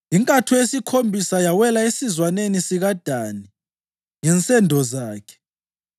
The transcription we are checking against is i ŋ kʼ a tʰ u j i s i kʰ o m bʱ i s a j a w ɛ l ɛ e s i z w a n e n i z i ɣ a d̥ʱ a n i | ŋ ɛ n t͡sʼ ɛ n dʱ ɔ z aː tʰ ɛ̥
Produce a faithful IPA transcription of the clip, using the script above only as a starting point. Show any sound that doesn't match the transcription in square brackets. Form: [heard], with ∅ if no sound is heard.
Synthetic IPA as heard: i ŋ kʼ a tʰ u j [e] s i kʰ o m bʱ i s a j a w ɛ l [a] e s i z w a n e n i [s] i ɣ a d̥ʱ a n i | ŋ ɛ n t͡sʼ ɛ n dʱ ɔ z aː [kʰ] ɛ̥